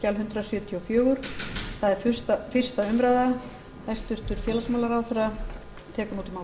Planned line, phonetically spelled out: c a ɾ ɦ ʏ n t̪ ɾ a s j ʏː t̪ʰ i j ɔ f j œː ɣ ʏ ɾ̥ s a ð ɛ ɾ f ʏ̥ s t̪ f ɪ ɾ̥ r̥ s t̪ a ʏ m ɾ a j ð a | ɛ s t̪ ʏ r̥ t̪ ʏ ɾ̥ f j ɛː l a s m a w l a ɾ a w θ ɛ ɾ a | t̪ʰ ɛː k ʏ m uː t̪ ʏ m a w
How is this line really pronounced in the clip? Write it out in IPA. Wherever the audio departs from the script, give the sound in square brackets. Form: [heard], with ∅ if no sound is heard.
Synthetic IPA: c a [l] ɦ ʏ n t̪ ɾ a s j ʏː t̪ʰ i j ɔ f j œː ɣ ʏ ɾ̥ [θ] a ð ɛ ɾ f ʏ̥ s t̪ f ɪ [∅] r̥ s t̪ a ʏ m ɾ a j ð a | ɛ s t̪ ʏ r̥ t̪ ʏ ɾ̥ f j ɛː l a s m a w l a ɾ a w θ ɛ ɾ a | t̪ʰ ɛː k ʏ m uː t̪ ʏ m a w